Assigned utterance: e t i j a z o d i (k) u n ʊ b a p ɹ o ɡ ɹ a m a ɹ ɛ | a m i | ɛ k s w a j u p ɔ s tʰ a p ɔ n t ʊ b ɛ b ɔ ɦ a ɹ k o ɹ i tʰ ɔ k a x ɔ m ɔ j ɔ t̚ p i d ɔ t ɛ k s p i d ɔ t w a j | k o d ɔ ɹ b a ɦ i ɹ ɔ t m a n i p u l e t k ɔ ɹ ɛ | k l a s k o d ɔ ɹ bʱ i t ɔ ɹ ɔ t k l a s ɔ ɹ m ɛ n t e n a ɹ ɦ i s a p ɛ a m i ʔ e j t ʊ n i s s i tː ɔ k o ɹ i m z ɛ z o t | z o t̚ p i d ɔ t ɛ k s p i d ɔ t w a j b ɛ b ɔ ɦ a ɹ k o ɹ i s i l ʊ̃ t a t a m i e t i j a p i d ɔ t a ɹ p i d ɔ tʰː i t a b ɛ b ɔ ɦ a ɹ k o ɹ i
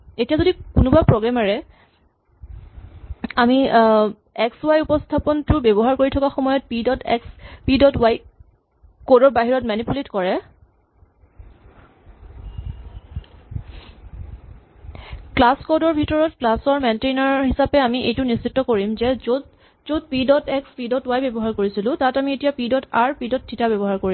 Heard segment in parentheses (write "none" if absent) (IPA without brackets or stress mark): k